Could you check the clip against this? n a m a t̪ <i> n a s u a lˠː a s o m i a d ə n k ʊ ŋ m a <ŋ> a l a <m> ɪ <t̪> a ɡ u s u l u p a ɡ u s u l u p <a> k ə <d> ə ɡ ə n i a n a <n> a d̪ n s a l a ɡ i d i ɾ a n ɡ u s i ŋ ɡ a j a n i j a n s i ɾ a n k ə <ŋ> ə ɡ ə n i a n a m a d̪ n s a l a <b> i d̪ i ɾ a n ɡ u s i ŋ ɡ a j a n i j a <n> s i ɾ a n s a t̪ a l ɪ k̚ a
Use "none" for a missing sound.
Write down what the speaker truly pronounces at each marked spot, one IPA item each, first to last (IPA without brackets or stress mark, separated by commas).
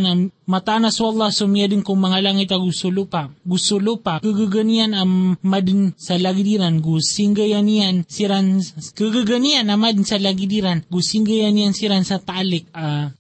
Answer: a, ŋ, ŋ, t̪, a, ɡ, m, ɡ, ɡ, n